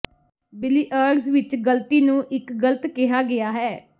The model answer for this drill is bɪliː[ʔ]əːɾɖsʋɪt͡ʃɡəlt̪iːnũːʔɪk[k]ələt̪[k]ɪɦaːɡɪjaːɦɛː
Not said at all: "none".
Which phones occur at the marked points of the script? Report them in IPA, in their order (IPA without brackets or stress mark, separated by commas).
ʔ, ɡ, k